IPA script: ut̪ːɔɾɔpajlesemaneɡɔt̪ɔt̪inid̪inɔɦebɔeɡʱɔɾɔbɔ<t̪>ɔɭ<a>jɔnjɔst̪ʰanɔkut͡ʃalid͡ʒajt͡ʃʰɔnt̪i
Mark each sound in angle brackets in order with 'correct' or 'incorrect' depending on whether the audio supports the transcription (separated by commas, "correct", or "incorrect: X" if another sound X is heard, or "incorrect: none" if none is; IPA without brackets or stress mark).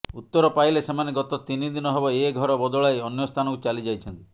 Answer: incorrect: d̪, correct